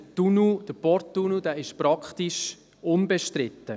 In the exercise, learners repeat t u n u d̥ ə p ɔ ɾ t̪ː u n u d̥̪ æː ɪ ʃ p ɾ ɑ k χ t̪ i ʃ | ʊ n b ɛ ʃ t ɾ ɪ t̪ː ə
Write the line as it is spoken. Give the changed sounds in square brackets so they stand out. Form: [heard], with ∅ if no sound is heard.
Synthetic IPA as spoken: t u n u d̥ ə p ɔ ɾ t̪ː u n u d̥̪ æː ɪ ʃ p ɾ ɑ k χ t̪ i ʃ | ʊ n b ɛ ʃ t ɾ ɪ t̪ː ə